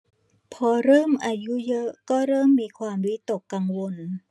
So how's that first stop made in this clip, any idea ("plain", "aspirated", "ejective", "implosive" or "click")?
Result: aspirated